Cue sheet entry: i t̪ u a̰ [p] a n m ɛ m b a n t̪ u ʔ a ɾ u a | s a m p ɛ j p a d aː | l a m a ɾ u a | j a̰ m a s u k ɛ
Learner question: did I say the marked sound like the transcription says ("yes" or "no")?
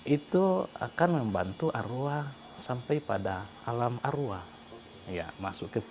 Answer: no